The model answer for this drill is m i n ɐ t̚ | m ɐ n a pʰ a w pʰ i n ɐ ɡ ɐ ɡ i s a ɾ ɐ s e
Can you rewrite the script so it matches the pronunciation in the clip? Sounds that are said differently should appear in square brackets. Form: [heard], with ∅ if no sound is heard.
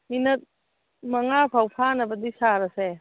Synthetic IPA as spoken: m i n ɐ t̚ | m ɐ [ŋ] a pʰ a w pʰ [a] n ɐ [b] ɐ [d] i s a ɾ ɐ s e